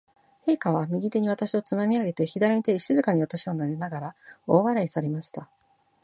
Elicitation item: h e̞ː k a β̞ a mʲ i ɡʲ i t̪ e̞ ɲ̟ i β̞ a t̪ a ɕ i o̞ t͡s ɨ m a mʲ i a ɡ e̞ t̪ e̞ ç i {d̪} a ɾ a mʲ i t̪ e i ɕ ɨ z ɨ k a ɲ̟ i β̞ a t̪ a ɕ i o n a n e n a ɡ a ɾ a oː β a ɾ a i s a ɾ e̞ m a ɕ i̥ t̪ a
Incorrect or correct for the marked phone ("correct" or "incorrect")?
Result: correct